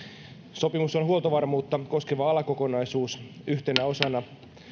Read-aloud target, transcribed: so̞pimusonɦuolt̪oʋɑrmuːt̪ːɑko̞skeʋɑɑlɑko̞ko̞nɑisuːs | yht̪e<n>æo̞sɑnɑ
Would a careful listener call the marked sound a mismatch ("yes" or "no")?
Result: no